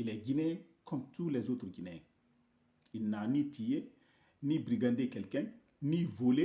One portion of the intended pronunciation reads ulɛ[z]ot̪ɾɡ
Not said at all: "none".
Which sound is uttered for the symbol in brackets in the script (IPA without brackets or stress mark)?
z